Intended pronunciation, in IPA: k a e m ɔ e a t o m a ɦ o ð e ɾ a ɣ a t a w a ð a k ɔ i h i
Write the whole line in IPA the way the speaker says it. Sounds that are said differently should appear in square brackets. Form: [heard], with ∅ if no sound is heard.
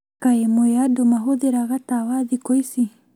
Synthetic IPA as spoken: k a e m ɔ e a [d] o m a ɦ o ð e ɾ a ɣ a t a w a ð [i] k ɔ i [s] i

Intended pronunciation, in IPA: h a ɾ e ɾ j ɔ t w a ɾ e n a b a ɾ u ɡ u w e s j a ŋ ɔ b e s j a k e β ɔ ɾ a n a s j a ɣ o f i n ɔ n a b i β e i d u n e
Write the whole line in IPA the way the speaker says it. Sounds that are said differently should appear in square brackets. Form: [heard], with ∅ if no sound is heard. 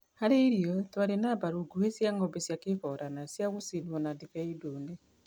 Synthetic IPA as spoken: h a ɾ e ɾ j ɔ t w a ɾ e n a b a ɾ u ɡ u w e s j a ŋ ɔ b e s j a k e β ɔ ɾ a n a s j a ɣ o [s] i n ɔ n a [d] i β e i d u n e

